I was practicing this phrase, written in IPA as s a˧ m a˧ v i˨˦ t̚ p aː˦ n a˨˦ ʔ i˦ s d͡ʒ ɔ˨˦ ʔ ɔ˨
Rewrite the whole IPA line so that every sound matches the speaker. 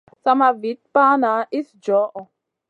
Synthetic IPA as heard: s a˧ m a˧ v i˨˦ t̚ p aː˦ n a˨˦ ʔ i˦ s d͡ʒ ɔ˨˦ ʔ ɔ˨